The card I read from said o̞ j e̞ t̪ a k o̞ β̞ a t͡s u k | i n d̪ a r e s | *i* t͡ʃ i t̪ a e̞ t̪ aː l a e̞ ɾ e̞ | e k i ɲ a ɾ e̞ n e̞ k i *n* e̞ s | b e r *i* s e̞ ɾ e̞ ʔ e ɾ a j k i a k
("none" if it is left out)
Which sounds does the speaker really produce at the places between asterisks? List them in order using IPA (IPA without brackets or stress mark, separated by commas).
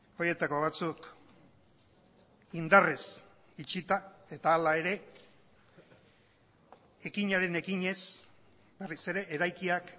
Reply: i, ɲ, i